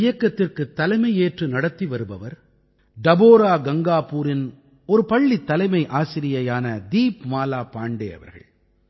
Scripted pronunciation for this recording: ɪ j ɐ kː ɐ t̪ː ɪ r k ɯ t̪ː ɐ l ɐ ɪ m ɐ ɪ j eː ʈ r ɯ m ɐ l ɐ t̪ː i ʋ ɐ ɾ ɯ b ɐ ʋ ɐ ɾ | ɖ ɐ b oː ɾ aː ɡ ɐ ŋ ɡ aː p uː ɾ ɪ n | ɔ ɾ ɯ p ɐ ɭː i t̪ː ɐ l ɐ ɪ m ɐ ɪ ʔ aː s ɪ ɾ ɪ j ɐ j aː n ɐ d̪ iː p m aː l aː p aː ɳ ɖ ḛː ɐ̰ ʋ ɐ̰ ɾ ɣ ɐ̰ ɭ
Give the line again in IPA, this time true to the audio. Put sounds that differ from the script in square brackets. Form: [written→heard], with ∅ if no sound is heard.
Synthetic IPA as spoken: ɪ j ɐ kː ɐ t̪ː ɪ r k ɯ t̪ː ɐ l ɐ ɪ m ɐ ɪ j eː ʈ r ɯ [m→n] ɐ [l→ɽ] ɐ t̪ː i ʋ ɐ ɾ ɯ b ɐ ʋ ɐ ɾ | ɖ ɐ b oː ɾ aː ɡ ɐ ŋ ɡ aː p uː ɾ ɪ n | ɔ ɾ ɯ p ɐ ɭː i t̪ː ɐ l ɐ ɪ m ɐ ɪ ʔ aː s ɪ ɾ ɪ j ɐ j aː n ɐ d̪ iː p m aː l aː p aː ɳ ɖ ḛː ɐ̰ ʋ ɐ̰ ɾ ɣ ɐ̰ ɭ